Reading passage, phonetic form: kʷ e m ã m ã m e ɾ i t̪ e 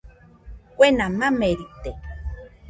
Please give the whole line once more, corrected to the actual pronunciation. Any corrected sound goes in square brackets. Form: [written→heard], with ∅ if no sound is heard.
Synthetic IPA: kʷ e [m→n] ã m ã m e ɾ i t̪ e

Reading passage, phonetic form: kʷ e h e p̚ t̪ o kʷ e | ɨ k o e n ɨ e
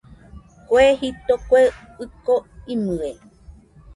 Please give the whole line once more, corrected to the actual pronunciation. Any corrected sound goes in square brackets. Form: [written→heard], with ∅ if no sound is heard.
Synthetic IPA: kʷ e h [e→i] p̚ t̪ o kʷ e | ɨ k o [e→i] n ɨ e

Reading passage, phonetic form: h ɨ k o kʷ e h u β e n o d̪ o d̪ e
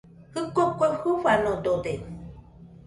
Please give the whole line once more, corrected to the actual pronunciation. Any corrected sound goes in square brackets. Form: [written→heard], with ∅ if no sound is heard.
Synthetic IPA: h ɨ k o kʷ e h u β [e→a] n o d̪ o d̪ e

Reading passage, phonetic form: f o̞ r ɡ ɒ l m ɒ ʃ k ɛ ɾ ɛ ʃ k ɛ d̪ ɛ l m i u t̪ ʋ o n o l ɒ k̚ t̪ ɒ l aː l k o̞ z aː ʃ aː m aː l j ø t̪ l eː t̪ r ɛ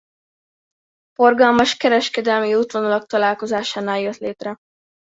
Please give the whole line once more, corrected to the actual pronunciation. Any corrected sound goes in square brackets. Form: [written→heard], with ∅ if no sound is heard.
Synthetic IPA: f o̞ r ɡ ɒ l m ɒ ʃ k ɛ ɾ ɛ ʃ k ɛ d̪ ɛ l m i u t̪ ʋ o n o l ɒ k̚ t̪ ɒ l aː l k o̞ z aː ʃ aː [m→n] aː l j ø t̪ l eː t̪ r ɛ

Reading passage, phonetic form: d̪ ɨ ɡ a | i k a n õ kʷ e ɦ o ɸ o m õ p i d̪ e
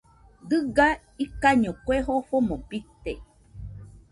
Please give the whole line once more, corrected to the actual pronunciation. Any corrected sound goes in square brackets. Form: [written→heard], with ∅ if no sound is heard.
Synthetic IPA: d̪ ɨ ɡ a | i k a [n→ɲ] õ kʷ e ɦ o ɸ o m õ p i [d̪→t̪] e

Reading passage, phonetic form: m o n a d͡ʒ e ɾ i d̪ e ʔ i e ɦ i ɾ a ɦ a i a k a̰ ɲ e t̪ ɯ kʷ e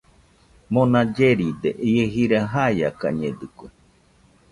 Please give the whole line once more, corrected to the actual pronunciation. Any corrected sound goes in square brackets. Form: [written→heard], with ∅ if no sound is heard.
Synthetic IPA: m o n a d͡ʒ e ɾ i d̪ e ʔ i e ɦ i ɾ a ɦ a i a k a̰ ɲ e [t̪→d̪] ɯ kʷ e

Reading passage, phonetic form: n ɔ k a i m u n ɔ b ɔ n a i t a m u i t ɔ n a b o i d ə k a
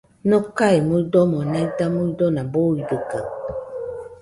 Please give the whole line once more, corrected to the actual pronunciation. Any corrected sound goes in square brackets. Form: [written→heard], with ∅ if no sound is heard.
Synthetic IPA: n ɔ k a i m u [n→d] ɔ [b→m] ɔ n a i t a m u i [t→d] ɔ n a b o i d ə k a

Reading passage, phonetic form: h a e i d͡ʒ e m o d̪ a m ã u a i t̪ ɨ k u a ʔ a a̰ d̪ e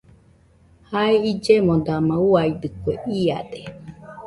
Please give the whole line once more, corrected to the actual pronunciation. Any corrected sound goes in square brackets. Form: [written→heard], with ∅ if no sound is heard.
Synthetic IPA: h a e i d͡ʒ e m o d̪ a m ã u a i [t̪→d̪] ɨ k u [a→e] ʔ [a→i] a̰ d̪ e

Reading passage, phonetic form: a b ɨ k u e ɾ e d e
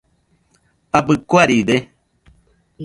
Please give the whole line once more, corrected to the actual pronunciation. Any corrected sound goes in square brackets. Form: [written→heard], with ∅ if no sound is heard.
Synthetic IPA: a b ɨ k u [e→a] ɾ [e→i] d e

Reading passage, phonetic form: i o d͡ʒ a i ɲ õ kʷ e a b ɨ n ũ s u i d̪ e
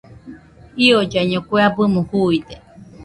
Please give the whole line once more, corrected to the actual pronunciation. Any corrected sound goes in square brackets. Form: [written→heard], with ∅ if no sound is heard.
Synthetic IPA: i o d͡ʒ a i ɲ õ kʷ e a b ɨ [n→m] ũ [s→h] u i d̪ e

